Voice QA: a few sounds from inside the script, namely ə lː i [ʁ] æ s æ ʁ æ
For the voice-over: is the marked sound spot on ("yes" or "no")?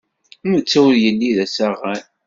no